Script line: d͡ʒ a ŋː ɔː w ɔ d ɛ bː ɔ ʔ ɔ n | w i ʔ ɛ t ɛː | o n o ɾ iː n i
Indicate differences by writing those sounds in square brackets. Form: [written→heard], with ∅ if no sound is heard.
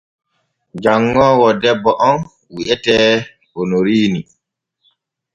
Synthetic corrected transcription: d͡ʒ a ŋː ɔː w ɔ d ɛ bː ɔ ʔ ɔ n | w i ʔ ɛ t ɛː | o n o ɾ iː n i

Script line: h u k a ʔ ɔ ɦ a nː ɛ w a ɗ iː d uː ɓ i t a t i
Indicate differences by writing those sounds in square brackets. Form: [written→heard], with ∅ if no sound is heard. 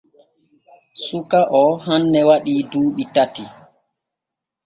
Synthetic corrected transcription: [h→s] u k a ʔ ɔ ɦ a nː ɛ w a ɗ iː d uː ɓ i t a t i

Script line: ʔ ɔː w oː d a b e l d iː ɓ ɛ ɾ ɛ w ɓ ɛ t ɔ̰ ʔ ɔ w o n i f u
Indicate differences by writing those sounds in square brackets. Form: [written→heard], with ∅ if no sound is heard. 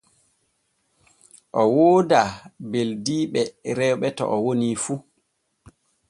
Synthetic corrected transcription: ʔ [ɔː→ɔ] w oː d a b e l d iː ɓ ɛ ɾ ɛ w ɓ ɛ t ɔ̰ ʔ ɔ w o n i f u

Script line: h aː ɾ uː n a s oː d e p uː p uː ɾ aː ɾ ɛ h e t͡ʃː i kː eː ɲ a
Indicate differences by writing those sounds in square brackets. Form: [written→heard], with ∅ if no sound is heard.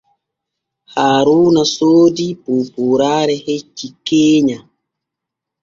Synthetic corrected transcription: h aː ɾ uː n a s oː d [e→i] p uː p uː ɾ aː ɾ ɛ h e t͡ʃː i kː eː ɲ a

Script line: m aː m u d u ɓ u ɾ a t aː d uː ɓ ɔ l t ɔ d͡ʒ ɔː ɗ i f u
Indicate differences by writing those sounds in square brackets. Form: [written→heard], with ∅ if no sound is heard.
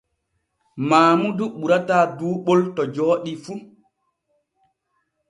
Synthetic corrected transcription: m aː m u d u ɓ u ɾ a t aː d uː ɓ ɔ l t ɔ d͡ʒ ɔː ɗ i f u

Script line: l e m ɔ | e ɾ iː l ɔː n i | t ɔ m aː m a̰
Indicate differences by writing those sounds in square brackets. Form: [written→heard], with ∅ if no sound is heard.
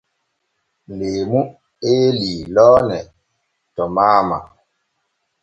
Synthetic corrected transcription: l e m [ɔ→u] | e [ɾ→l] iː l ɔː n [i→ɛ] | t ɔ m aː m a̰

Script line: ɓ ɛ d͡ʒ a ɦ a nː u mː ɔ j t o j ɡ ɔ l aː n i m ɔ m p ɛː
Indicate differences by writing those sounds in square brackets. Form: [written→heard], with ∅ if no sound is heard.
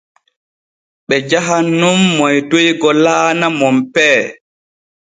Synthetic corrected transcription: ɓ ɛ d͡ʒ a ɦ a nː u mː ɔ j t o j ɡ ɔ l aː n [i→a] m ɔ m p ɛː

